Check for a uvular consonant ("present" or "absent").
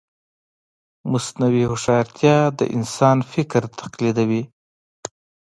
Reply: present